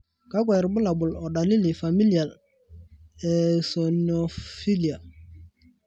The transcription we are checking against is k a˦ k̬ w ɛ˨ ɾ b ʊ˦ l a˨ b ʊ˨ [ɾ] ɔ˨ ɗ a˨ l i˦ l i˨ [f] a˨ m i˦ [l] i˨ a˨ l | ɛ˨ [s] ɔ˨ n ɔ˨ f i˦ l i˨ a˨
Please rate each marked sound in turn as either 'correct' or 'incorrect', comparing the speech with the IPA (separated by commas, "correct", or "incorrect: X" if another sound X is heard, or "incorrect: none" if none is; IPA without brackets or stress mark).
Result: incorrect: l, correct, correct, correct